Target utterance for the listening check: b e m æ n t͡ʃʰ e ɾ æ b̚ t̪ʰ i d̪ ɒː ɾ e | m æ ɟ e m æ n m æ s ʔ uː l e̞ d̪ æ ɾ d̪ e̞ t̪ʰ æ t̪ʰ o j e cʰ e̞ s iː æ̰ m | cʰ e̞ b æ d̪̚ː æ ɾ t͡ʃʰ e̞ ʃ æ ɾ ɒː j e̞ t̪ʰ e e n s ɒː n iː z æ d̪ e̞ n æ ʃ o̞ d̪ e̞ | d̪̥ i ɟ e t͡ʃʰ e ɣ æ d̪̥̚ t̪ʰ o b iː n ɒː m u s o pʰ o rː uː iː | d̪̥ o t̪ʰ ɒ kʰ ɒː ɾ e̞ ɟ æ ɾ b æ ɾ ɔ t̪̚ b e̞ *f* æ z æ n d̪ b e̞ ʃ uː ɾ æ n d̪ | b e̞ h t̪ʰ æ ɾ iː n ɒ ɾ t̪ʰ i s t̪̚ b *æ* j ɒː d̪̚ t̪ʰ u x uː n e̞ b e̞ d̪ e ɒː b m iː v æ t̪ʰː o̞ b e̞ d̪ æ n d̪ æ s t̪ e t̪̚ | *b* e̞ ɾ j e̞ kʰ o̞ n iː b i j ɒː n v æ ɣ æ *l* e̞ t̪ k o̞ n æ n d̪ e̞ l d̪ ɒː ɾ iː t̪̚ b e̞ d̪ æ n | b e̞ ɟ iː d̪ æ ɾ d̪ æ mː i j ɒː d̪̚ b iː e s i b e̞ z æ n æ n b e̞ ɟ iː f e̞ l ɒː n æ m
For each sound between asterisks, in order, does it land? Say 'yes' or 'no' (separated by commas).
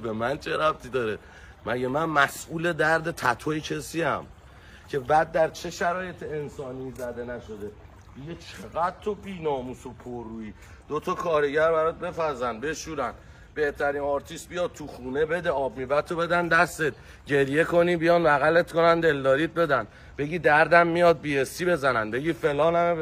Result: yes, no, no, yes